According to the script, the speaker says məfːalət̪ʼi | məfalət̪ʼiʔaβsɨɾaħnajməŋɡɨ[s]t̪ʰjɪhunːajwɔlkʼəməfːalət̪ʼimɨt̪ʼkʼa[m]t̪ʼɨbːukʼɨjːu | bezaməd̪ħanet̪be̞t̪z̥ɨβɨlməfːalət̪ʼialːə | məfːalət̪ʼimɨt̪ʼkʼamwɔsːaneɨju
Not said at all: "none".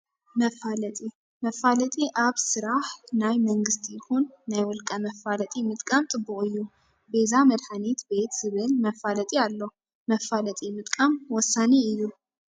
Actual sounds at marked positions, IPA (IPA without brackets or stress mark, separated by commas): s, m